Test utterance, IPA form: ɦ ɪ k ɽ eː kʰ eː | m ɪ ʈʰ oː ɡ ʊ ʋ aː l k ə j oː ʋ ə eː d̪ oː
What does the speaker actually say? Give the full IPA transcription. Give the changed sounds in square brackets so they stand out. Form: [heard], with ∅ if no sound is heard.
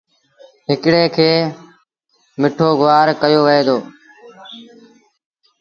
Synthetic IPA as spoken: ɦ ɪ k ɽ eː kʰ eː | m ɪ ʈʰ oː ɡ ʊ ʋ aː [ɾ] k ə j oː ʋ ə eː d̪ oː